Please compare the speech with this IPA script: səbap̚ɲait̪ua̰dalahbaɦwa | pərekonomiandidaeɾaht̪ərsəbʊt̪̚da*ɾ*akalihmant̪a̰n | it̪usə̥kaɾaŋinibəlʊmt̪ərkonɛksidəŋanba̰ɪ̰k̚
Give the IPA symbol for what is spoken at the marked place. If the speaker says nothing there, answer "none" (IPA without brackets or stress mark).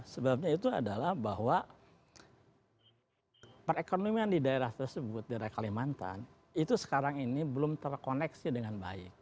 ɾ